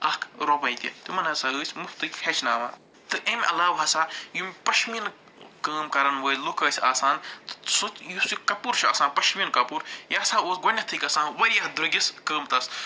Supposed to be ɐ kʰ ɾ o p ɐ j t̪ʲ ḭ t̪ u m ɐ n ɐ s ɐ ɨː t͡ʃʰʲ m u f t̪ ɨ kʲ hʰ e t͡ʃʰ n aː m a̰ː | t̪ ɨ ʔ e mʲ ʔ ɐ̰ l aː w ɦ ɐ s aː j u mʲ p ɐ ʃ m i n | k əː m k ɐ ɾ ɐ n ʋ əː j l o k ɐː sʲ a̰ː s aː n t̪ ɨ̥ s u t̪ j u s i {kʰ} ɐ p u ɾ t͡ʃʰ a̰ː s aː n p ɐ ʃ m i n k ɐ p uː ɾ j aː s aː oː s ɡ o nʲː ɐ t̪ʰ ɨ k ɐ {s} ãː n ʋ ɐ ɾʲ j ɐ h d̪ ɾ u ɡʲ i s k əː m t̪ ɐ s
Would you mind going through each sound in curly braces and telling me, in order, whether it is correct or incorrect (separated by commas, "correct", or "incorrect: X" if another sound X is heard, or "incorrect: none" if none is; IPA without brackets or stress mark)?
incorrect: k, correct